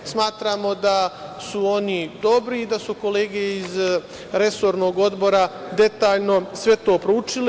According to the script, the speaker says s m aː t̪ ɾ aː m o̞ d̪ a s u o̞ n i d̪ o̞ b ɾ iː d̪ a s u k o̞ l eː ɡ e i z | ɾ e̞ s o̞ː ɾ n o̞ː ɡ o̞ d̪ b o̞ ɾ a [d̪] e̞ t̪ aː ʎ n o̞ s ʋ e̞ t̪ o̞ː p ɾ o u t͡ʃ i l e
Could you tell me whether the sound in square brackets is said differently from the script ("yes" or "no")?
no